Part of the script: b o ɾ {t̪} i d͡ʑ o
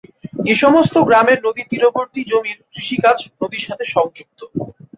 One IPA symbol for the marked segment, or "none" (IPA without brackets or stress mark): t̪